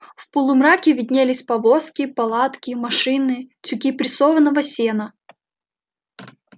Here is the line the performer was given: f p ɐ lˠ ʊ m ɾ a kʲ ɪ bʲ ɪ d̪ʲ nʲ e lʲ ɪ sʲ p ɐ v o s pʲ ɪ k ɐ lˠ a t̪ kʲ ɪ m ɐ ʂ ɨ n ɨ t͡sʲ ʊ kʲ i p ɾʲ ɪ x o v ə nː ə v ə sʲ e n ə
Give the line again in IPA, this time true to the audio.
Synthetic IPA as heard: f p ə lˠ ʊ m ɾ a kʲ ɪ vʲ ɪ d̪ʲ nʲ e lʲ ɪ sʲ p ɐ v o s kʲ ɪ p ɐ lˠ a t̪ kʲ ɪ m ɐ ʂ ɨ n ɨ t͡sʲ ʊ kʲ i p ɾʲ ɪ s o v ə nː ə v ə sʲ e n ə